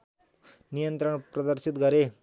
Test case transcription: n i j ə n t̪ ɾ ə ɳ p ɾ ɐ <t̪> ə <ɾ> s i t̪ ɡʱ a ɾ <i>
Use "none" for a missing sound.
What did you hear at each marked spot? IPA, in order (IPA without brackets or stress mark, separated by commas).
d̪, ɾ, e